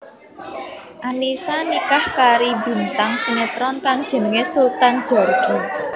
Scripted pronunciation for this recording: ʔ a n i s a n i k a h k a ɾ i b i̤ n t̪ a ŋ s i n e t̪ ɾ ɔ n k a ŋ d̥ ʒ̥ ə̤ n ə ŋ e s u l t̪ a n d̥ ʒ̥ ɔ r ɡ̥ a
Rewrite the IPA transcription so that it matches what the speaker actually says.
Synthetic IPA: ʔ a n i s a n i k a h k a ɾ i b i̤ n t̪ a ŋ s i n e t̪ ɾ ɔ n k a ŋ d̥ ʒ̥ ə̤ n ə ŋ e s u l t̪ a n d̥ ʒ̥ ɔ r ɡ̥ i